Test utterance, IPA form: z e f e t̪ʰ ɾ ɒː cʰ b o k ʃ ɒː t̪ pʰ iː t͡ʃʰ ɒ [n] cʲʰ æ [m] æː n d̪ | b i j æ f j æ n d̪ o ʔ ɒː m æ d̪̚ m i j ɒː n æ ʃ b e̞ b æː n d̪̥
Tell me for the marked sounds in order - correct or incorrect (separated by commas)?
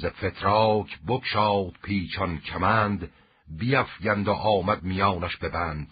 correct, correct